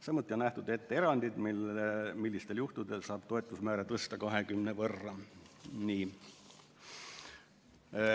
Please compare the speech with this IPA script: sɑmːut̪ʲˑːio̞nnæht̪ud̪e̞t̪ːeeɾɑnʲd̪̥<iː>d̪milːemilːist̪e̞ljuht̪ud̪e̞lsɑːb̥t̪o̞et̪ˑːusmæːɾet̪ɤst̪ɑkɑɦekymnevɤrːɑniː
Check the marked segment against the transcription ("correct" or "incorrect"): incorrect